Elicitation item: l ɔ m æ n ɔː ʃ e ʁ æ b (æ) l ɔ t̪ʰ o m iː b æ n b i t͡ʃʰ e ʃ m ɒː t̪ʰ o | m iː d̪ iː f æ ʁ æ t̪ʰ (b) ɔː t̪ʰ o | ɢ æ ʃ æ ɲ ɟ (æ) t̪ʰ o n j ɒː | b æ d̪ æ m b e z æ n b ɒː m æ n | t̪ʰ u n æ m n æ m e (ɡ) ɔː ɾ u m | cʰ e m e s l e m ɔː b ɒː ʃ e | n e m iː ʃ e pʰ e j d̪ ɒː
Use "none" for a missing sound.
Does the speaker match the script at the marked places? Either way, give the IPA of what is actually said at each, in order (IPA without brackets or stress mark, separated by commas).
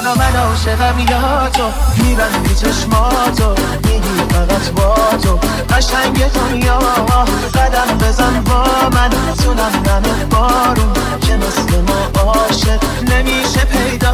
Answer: i, b, e, b